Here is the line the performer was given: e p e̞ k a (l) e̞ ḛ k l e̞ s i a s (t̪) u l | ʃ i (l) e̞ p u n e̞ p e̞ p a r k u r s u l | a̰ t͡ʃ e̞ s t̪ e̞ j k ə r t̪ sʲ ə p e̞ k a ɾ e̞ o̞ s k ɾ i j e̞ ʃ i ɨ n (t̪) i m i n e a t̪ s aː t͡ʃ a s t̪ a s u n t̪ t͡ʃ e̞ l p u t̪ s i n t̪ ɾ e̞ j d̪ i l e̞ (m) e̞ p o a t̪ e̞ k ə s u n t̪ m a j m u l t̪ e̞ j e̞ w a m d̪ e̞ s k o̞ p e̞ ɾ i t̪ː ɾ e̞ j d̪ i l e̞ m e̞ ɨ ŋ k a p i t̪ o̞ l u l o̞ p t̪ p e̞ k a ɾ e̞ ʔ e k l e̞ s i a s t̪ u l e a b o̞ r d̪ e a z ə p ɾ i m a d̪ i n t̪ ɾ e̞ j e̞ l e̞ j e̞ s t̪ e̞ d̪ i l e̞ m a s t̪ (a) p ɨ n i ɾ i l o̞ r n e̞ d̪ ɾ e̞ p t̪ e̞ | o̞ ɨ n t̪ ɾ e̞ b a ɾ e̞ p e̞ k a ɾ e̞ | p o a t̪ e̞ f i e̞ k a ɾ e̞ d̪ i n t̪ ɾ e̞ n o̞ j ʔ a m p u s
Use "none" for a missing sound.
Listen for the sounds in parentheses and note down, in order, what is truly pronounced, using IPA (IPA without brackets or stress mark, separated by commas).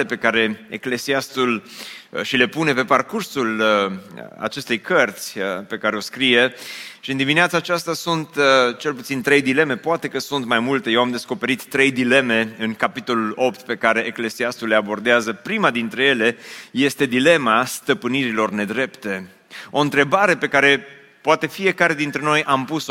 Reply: ɾ, t̪, l, d̪, m, ə